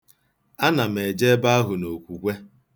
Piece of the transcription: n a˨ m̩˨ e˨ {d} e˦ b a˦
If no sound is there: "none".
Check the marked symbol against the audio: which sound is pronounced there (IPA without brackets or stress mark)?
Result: d͡ʒ